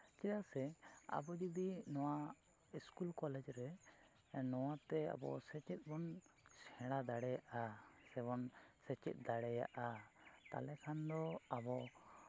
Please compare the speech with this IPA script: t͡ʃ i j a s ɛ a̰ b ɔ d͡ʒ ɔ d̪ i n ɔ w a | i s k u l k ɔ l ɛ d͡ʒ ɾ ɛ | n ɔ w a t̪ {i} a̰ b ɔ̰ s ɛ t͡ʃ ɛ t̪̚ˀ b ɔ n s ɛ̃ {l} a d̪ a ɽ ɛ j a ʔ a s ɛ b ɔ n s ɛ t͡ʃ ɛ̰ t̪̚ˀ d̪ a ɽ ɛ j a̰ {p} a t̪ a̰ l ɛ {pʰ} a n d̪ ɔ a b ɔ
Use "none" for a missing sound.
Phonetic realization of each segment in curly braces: ɛ, ɽ, ʔ, kʰ

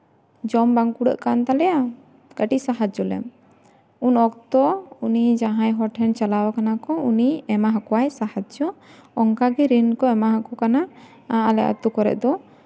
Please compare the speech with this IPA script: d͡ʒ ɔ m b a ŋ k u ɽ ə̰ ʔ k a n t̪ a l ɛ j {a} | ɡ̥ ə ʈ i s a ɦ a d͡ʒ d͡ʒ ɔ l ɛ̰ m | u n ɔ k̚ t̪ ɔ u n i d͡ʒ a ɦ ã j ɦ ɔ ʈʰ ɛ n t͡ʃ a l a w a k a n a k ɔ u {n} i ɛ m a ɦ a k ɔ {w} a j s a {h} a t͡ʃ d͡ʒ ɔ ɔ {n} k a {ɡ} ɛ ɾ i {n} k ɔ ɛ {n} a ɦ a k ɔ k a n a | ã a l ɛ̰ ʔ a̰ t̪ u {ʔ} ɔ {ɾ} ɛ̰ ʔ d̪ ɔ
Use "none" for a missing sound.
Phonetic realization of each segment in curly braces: a, n, w, h, ŋ, ɡ, n, m, k, ɾ

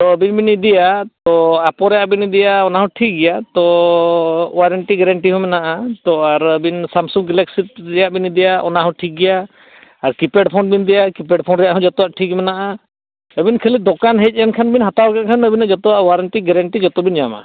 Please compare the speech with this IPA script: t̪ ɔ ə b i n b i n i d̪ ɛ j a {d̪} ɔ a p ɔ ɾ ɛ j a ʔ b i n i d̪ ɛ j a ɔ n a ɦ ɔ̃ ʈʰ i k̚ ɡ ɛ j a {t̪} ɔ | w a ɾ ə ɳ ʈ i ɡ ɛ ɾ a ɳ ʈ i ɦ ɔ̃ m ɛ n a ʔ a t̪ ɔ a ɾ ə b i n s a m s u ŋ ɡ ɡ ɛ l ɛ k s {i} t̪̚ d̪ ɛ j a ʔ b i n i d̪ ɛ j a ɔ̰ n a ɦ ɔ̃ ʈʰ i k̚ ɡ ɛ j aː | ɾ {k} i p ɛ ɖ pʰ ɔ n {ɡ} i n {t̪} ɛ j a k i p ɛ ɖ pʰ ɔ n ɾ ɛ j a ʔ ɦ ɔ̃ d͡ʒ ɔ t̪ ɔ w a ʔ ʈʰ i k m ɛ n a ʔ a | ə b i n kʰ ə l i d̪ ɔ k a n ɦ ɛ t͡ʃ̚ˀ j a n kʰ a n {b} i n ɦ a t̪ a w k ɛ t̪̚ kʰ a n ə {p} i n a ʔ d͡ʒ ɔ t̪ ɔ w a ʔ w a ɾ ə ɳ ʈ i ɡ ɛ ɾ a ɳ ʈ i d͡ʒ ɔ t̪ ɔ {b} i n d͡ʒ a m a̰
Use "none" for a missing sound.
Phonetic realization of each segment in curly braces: t̪, t̪, i, k, b, d̪, b, b, b

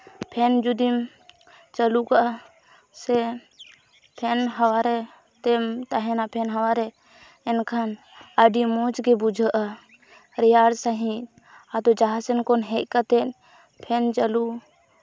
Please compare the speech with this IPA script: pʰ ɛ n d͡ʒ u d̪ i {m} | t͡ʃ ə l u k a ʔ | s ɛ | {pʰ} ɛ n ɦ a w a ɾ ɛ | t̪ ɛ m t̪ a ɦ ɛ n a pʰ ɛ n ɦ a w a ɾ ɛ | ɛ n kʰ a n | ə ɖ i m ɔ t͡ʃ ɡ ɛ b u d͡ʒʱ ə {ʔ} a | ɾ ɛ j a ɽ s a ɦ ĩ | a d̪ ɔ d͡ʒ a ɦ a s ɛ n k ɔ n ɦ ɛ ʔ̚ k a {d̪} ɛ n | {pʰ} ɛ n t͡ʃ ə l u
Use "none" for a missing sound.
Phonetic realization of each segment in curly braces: m, pʰ, ʔ, t̪, pʰ

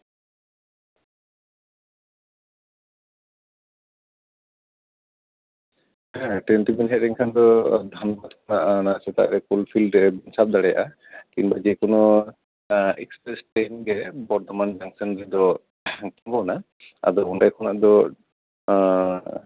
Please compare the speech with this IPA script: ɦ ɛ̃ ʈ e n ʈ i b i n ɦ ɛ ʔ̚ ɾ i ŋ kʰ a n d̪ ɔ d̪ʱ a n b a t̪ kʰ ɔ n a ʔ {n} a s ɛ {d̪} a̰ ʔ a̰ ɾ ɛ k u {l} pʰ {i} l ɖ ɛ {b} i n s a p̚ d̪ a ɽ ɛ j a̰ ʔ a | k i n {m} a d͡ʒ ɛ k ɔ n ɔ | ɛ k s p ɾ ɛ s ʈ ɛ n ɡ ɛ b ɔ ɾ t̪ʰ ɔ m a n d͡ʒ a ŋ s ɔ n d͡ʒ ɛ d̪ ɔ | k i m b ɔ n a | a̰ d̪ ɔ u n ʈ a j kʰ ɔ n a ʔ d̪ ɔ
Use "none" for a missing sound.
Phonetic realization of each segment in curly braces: n, t̪, l, i, b, b

